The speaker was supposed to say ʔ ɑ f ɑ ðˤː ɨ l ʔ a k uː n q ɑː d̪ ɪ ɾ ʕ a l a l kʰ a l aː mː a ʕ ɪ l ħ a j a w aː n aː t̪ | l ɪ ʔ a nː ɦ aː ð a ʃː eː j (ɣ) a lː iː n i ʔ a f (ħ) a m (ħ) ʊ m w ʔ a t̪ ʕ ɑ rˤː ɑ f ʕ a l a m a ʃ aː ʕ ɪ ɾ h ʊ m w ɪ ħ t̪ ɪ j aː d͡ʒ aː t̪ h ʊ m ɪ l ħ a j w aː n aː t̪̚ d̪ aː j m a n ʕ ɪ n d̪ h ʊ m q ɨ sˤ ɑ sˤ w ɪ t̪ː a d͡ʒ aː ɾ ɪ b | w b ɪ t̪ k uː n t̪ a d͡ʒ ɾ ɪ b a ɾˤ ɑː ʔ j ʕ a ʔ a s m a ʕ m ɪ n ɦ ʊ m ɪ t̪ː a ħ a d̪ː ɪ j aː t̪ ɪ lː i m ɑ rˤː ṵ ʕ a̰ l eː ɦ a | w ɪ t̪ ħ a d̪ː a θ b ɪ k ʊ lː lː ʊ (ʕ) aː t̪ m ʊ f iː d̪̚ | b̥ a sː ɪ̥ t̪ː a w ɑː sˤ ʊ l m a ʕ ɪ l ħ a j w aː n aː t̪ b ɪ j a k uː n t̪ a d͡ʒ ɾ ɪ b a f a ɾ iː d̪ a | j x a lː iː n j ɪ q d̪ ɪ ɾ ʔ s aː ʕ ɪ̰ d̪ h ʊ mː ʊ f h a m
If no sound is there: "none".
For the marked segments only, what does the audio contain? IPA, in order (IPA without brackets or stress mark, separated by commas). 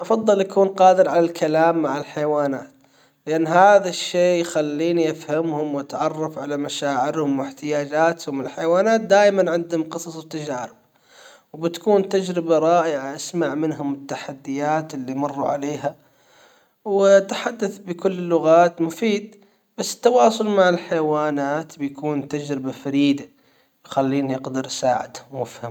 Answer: x, h, h, ɣ